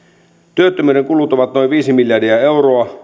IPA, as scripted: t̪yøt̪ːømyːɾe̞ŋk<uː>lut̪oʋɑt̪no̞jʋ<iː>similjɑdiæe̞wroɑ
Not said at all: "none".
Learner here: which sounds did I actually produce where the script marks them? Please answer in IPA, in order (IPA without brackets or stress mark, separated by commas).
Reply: u, iː